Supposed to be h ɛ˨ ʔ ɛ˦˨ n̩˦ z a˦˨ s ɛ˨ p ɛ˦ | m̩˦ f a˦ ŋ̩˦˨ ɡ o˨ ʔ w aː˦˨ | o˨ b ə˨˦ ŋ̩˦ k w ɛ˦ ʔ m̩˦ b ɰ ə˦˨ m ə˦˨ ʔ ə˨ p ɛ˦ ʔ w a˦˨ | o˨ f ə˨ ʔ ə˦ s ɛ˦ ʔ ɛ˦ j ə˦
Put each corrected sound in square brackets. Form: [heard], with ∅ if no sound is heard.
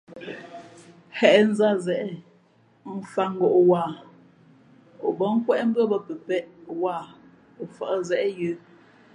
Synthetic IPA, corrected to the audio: h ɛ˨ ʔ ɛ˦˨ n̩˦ z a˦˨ [z] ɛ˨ [ʔ] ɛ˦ | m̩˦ f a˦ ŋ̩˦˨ ɡ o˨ ʔ w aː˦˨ | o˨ b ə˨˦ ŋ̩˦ k w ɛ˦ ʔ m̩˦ b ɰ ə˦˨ [b] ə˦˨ [p] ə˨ p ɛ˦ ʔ w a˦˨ | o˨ f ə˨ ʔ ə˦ [z] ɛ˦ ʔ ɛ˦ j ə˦